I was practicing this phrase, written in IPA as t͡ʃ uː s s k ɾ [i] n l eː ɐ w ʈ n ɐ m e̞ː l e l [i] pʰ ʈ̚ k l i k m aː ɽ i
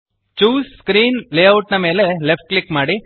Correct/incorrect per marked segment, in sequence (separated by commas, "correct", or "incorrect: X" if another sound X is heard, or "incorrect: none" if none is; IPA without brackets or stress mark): incorrect: iː, incorrect: e